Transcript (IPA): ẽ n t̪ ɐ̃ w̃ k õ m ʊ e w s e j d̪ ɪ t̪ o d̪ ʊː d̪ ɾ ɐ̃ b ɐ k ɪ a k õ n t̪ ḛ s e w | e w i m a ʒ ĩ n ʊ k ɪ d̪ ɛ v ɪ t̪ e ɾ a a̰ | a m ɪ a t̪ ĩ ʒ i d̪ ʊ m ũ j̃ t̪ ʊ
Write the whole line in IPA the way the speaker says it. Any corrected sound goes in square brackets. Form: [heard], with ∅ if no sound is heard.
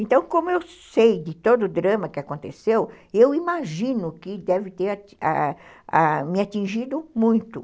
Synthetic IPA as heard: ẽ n t̪ ɐ̃ w̃ k õ m ʊ e w s e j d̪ ɪ t̪ o d̪ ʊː d̪ ɾ ɐ̃ [m] ɐ k ɪ a k õ n t̪ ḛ s e w | e w i m a ʒ ĩ n ʊ k ɪ d̪ ɛ v ɪ t̪ e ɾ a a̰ | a m ɪ a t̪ ĩ ʒ i d̪ ʊ m ũ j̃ t̪ ʊ